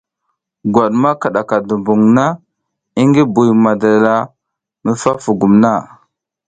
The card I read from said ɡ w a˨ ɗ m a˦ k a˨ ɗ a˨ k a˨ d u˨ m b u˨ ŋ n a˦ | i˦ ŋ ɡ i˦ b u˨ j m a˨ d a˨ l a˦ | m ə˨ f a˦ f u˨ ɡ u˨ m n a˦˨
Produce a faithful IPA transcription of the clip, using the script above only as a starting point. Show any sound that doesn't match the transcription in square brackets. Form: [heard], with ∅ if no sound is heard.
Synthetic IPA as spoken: ɡ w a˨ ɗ m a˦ k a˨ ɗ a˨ k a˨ d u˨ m b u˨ ŋ n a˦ | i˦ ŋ ɡ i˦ b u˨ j m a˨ d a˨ l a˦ | m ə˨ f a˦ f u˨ ɡ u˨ m n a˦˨